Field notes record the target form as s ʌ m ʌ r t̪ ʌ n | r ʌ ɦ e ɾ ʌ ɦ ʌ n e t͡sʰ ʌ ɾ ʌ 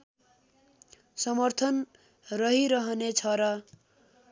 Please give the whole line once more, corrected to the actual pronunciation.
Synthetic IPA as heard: s ʌ m ʌ r t̪ʰ ʌ n | r ʌ ɦ i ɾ ʌ ɦ ʌ n e t͡sʰ ʌ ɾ ʌ